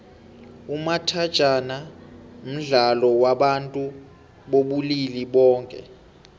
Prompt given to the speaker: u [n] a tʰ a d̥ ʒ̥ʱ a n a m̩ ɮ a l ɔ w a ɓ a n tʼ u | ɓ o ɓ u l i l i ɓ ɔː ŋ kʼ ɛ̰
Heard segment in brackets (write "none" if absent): m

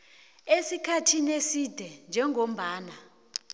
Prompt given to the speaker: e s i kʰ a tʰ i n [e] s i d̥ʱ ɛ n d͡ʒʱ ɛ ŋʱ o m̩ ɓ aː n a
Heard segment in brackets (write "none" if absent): e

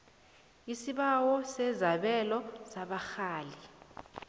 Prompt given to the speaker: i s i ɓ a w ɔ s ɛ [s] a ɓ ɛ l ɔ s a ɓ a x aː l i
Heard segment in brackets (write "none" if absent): z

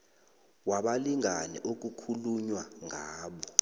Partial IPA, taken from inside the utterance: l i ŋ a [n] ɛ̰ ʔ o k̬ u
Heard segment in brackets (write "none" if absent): n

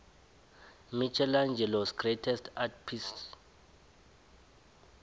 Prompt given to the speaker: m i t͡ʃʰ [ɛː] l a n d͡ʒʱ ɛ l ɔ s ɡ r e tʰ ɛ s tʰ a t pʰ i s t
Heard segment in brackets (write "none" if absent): ɛ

